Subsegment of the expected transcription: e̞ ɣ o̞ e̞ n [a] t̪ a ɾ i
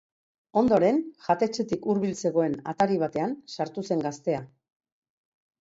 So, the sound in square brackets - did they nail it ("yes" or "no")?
yes